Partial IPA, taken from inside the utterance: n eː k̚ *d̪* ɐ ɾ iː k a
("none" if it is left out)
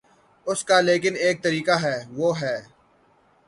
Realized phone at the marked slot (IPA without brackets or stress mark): t̪